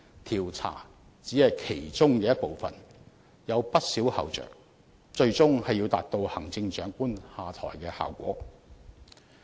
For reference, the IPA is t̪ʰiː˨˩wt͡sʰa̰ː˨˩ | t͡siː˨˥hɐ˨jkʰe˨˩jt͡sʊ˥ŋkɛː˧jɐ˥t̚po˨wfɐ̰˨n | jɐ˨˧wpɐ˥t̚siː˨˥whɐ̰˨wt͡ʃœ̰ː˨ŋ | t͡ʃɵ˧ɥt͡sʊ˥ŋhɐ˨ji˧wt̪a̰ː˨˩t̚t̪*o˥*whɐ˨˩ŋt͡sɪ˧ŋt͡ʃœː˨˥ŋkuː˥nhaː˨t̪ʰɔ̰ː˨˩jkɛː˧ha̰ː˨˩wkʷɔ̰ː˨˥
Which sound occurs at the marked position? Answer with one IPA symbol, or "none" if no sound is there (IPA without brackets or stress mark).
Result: o˧